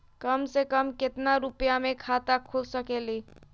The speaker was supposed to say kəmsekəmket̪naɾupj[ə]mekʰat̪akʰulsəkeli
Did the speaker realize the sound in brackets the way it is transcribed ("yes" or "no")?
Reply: no